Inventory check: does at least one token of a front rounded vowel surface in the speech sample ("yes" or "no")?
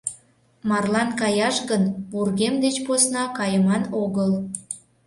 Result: no